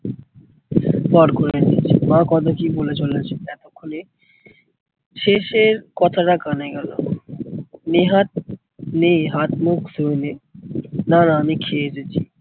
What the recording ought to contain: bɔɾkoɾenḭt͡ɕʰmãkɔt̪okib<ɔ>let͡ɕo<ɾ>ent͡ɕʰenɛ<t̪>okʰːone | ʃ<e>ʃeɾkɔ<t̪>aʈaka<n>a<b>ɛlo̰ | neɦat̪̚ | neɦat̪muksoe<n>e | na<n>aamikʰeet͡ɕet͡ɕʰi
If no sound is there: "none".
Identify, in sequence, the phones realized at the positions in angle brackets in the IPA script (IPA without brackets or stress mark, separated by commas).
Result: o, l, t̪, e, t̪ʰ, n, ɡ, n, n